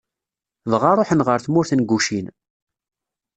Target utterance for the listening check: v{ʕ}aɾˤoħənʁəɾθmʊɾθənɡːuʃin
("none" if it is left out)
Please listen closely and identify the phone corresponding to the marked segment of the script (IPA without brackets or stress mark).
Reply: ʁ